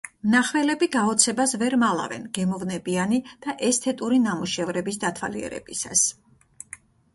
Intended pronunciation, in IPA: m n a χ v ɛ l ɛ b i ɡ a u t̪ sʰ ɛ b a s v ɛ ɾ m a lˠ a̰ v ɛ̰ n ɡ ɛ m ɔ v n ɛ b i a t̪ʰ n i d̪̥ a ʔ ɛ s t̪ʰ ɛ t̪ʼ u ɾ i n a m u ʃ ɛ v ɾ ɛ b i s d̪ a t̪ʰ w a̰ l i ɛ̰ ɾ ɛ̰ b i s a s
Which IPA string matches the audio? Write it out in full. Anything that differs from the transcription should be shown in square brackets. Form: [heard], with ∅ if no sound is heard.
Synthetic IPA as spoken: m n a χ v ɛ l ɛ b i ɡ a [ɔ] t̪ sʰ ɛ b a s v ɛ ɾ m a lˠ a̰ v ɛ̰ n ɡ ɛ m ɔ v n ɛ b i a [∅] n i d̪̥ a ʔ ɛ s t̪ʰ ɛ t̪ʼ u ɾ i n a m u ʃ ɛ v ɾ ɛ b i s d̪ a t̪ʰ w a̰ l i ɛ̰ ɾ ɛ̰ b i s a s